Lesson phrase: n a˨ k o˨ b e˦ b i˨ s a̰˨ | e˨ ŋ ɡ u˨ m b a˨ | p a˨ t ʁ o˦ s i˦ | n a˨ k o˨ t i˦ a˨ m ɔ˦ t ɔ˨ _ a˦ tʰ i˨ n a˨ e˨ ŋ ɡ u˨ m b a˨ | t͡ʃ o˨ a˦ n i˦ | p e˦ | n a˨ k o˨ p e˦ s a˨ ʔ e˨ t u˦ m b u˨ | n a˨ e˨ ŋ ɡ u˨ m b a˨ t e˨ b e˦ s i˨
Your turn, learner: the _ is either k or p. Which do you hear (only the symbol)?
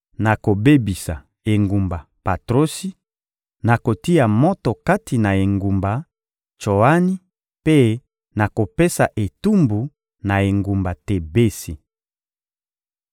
k